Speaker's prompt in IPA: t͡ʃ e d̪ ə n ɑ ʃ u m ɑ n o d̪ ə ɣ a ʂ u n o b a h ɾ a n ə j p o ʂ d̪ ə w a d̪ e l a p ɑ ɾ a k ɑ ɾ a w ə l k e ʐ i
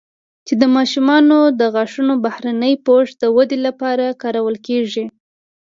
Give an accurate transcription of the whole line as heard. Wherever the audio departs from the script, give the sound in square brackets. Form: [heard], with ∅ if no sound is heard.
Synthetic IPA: t͡ʃ e d̪ ə [m] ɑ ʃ u m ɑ n o d̪ ə ɣ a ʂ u n o b a h ɾ a n ə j p o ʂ d̪ ə w a d̪ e l a p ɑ ɾ a k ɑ ɾ a w ə l k e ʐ i

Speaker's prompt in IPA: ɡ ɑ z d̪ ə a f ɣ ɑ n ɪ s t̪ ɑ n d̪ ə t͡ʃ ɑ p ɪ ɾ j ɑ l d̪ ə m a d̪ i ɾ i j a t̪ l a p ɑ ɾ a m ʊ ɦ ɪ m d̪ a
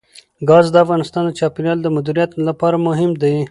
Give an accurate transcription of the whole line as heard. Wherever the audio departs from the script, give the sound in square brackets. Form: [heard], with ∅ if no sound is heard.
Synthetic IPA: ɡ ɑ z d̪ ə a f ɣ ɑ n ɪ s t̪ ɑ n d̪ ə t͡ʃ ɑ p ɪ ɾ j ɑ l d̪ ə m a d̪ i ɾ i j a t̪ l a p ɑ ɾ a m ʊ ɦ ɪ m d̪ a

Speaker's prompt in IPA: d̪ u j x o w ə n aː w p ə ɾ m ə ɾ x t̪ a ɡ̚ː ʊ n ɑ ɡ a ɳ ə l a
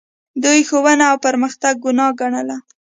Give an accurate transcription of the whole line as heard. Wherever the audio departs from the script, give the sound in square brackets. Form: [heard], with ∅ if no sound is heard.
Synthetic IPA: d̪ u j x o w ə n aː w p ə ɾ m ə [∅] x t̪ a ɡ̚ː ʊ n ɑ ɡ a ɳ ə l a

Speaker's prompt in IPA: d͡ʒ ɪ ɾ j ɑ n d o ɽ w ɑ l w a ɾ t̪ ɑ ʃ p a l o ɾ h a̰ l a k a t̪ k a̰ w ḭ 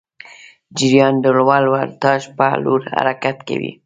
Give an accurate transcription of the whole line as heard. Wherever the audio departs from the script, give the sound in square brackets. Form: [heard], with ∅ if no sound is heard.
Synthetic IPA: d͡ʒ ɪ ɾ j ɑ n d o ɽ w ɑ l w a ɾ t̪ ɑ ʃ p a l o ɾ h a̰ [ɾ] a k a t̪ k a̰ w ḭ

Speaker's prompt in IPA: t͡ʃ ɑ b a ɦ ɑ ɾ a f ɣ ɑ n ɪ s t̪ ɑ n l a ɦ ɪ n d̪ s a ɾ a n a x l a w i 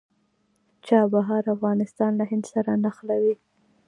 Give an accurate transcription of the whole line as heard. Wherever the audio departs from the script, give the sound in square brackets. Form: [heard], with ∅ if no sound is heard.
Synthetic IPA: t͡ʃ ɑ b a ɦ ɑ ɾ a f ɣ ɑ n ɪ s t̪ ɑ n l a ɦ ɪ n d̪ s a ɾ a n a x l a w i

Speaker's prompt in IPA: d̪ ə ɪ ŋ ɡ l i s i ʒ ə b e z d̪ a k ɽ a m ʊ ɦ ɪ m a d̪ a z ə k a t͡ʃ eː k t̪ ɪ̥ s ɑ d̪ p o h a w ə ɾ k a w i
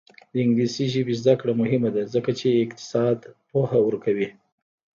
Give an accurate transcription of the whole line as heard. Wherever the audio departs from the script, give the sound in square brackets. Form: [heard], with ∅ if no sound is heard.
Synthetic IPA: d̪ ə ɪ ŋ ɡ l i s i ʒ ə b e z d̪ a k ɽ a m ʊ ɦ ɪ m a d̪ a z ə k a t͡ʃ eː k t̪ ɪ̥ s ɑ d̪ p o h a w ə ɾ k a w i

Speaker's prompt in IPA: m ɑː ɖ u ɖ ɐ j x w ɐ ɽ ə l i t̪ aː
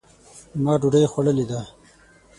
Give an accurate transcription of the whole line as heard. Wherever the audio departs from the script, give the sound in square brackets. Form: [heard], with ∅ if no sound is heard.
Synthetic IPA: m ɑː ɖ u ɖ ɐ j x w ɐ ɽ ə l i [d̪] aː

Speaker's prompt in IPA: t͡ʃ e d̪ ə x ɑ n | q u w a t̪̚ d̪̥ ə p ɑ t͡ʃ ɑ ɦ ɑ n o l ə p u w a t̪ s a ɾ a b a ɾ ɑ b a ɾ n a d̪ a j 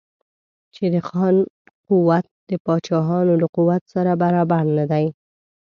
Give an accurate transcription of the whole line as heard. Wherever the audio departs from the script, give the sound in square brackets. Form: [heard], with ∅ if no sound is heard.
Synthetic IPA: t͡ʃ e d̪ ə x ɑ n | q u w a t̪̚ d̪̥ ə p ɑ t͡ʃ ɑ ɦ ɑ n o l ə [q] u w a t̪ s a ɾ a b a ɾ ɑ b a ɾ n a d̪ a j

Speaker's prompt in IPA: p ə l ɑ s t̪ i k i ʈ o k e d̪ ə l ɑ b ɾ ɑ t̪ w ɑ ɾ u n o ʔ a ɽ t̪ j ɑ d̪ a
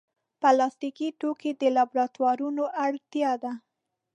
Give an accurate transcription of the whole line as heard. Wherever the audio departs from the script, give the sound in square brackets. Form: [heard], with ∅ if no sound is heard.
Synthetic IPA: p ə l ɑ s t̪ i k i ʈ o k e d̪ ə l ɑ b ɾ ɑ t̪ w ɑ ɾ u n o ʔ a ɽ t̪ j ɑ d̪ a

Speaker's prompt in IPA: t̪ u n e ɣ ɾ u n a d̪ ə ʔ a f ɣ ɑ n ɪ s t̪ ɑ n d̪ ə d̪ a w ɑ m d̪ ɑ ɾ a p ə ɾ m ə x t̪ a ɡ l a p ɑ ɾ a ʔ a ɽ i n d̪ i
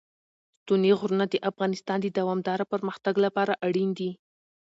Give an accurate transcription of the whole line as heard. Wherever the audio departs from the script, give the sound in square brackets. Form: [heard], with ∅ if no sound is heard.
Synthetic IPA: t̪ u n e ɣ ɾ u n a d̪ ə ʔ a f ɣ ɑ n ɪ s t̪ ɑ n d̪ ə d̪ a w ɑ m d̪ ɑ ɾ a p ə ɾ m ə x t̪ a ɡ l a p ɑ ɾ a ʔ a ɽ i n d̪ i

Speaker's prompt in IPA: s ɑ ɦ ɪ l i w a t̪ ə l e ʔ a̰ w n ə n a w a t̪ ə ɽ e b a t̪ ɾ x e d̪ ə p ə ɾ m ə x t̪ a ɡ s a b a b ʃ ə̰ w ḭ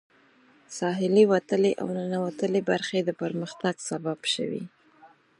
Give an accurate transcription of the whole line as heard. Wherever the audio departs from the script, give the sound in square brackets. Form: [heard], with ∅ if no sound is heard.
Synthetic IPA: s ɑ ɦ ɪ l i w a t̪ ə l e ʔ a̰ w n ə n a w a t̪ ə [l] e b a [∅] ɾ x e d̪ ə p ə ɾ m ə x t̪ a ɡ s a b a b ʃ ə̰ w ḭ

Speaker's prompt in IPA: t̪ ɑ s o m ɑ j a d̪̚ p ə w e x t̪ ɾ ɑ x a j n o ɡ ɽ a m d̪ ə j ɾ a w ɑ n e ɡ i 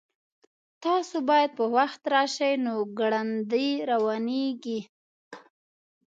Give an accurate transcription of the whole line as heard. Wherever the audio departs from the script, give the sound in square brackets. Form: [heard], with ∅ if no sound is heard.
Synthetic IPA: t̪ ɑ s o [b] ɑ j a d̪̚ p ə w [a] x t̪ ɾ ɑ [ʃ] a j n o ɡ ɽ a [n] d̪ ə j ɾ a w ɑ n e ɡ i

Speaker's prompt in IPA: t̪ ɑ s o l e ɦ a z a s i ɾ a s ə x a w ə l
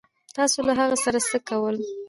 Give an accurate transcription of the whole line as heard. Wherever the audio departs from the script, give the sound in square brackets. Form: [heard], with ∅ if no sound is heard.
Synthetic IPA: t̪ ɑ s o l [a] ɦ a [ɣ] a s [a] ɾ a s ə [k] a w ə l

